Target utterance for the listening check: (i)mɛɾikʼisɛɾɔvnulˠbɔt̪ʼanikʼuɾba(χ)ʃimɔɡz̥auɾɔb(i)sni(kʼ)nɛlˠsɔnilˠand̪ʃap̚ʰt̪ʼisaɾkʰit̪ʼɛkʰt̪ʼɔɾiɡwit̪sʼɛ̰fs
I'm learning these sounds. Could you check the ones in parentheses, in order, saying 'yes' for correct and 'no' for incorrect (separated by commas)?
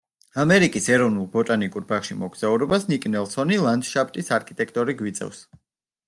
no, yes, no, yes